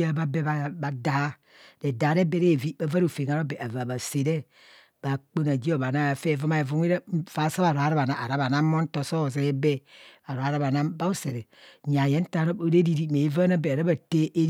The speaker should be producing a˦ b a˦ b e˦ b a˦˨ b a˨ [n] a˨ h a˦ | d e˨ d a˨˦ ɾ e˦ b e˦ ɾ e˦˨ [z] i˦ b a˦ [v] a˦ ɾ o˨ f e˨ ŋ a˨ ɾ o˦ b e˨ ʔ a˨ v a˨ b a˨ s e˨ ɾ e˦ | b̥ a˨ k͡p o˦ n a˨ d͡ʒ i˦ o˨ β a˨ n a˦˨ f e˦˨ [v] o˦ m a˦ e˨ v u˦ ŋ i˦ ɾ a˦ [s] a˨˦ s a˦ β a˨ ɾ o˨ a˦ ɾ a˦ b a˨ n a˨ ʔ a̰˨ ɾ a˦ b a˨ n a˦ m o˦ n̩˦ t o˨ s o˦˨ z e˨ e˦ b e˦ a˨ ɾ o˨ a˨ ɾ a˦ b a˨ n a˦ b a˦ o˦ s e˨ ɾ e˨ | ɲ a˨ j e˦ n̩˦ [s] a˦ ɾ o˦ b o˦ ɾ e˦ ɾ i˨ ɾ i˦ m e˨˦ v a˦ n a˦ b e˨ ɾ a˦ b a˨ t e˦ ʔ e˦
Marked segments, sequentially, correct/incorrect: incorrect: d, incorrect: v, correct, correct, incorrect: f, incorrect: t

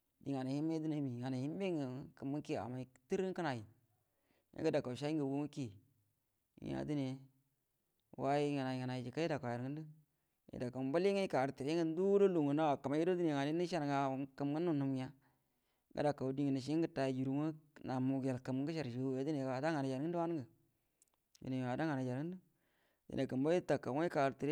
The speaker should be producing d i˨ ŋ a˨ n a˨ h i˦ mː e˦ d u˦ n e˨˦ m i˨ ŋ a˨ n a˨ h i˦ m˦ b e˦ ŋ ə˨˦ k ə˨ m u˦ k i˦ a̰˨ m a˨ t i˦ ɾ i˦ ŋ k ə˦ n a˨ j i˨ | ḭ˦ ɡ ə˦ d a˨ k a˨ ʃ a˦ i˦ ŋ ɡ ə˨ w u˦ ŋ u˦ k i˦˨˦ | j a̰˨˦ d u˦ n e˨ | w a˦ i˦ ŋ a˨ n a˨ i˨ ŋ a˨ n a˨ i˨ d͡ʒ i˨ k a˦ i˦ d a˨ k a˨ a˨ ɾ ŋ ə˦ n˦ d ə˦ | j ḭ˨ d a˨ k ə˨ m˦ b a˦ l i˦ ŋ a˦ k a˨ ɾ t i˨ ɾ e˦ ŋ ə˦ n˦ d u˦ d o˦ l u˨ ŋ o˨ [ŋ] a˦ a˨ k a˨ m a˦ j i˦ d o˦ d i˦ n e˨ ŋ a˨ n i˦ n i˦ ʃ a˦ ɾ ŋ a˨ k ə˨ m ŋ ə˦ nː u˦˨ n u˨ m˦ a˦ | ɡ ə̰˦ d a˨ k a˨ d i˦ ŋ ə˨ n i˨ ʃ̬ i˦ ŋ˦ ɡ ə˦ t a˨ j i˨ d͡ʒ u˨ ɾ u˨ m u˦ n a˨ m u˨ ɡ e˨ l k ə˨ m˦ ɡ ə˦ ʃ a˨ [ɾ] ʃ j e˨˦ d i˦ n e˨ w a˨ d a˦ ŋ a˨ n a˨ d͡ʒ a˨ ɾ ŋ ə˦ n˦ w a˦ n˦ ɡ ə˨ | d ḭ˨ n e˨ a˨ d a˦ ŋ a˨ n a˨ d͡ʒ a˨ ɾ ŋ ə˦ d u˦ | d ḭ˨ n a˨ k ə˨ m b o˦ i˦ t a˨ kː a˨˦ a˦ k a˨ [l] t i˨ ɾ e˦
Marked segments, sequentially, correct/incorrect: incorrect: n, correct, incorrect: ɾ

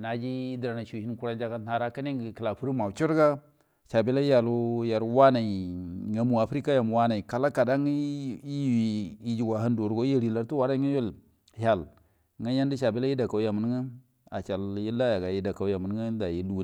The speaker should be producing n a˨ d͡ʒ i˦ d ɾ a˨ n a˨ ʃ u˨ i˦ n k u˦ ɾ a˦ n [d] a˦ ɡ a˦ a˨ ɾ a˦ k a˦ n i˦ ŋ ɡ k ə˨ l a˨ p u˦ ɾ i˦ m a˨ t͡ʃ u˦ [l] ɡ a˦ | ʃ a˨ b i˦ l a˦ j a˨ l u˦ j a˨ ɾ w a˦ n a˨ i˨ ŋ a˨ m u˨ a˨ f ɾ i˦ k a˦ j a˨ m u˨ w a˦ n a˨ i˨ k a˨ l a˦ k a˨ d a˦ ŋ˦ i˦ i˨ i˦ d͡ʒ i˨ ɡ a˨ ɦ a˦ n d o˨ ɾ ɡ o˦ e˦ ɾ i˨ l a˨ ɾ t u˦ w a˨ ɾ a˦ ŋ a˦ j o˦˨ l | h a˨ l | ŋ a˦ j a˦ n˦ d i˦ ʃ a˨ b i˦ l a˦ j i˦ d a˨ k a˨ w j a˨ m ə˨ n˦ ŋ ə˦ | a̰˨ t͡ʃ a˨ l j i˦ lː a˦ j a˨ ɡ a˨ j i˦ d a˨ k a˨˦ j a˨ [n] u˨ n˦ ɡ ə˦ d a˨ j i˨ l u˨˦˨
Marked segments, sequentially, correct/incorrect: incorrect: d͡ʒ, incorrect: ɾ, incorrect: m

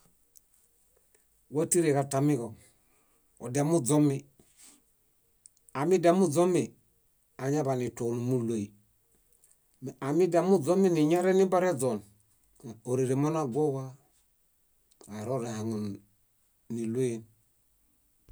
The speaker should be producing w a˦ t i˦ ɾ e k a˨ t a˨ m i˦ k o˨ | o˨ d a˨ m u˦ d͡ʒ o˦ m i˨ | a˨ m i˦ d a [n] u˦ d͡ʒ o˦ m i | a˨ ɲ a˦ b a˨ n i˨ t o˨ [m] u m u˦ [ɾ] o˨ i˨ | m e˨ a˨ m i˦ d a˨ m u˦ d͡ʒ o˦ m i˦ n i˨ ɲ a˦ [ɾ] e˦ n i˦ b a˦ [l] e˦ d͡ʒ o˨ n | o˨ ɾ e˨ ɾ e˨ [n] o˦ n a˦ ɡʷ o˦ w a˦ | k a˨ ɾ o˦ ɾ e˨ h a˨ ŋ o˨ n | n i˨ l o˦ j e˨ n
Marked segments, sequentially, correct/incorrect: incorrect: m, incorrect: n, incorrect: l, correct, incorrect: ɾ, incorrect: m

